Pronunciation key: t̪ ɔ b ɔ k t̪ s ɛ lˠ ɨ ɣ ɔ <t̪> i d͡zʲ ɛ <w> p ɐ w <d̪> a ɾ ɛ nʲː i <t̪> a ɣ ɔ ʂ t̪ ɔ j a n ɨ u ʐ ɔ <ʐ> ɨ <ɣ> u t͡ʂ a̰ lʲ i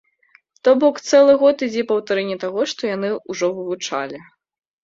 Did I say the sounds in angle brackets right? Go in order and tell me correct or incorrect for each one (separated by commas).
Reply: correct, incorrect, incorrect, correct, incorrect, incorrect